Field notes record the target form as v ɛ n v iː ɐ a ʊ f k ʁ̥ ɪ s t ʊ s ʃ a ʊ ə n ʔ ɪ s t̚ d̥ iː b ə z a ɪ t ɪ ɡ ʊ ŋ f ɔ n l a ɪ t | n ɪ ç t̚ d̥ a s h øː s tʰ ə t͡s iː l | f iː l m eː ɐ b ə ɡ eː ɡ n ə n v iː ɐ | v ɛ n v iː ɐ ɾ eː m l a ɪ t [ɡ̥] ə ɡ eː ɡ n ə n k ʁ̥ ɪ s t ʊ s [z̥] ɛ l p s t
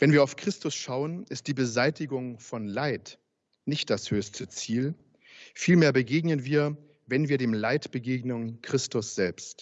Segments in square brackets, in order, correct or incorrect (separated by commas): incorrect, correct